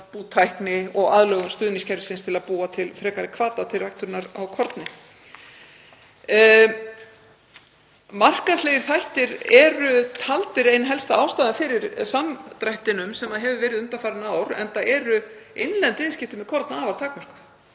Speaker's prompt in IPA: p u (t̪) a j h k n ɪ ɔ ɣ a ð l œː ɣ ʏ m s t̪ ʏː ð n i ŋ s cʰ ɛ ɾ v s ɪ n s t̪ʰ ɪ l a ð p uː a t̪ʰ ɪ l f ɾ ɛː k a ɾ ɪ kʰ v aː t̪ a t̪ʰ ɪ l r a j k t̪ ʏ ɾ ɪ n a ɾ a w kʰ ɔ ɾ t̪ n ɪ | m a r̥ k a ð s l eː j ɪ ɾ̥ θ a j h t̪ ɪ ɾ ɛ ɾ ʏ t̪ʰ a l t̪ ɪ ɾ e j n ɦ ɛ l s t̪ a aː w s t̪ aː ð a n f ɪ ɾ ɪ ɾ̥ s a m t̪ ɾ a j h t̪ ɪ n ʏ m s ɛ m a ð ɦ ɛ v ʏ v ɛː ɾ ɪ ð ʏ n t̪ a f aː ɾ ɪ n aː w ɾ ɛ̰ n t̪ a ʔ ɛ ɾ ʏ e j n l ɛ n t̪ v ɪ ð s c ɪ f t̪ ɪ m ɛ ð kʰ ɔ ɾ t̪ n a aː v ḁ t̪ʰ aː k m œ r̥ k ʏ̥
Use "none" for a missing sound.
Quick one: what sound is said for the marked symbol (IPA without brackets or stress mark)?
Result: t̪ʰ